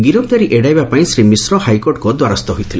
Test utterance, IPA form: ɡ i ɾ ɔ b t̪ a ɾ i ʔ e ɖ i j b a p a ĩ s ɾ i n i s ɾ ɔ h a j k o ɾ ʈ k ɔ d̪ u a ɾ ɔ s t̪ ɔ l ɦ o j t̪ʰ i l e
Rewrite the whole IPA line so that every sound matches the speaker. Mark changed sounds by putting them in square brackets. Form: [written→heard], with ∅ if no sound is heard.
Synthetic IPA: ɡ i ɾ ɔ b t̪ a ɾ i ʔ e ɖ [i→a] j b a p a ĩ s ɾ i [n→m] i s ɾ ɔ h a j k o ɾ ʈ k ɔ d̪ [u→w] a ɾ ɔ s t̪ ɔ [l→∅] ɦ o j t̪ʰ i l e